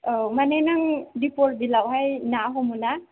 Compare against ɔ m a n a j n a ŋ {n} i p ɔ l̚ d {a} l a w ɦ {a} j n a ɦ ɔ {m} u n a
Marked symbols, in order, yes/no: no, no, yes, yes

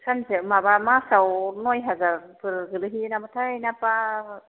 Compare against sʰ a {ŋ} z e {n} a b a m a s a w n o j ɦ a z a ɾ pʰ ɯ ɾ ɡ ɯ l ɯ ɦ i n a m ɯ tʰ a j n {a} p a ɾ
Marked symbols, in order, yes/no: no, no, yes

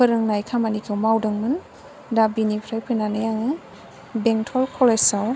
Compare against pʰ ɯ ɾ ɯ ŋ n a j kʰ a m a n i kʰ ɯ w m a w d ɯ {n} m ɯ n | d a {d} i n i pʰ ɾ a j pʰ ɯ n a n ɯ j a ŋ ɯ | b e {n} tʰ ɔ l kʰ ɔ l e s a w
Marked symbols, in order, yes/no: no, no, no

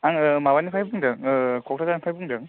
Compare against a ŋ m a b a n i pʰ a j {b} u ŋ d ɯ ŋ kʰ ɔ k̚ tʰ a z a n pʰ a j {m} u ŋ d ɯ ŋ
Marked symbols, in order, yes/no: yes, no

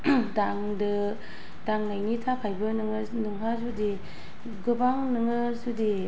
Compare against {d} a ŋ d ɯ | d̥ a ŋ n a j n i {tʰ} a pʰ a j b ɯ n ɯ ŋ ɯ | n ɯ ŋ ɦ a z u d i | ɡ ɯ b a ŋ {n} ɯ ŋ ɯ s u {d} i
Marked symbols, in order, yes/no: yes, yes, yes, yes

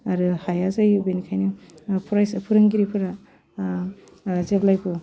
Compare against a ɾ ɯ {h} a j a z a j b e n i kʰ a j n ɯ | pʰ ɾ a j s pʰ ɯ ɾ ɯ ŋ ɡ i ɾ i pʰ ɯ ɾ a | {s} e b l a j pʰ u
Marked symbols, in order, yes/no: yes, no

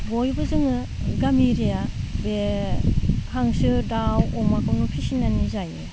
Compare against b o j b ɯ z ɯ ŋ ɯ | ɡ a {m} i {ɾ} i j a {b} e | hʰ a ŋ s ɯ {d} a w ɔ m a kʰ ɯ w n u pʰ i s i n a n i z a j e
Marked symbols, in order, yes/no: yes, yes, yes, yes

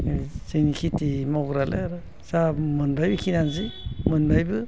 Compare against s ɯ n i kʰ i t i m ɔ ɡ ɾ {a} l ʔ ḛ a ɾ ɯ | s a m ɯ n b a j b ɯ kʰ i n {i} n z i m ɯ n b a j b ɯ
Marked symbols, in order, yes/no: yes, no

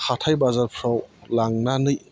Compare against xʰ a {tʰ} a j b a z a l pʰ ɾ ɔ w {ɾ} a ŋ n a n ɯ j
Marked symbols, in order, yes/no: yes, no

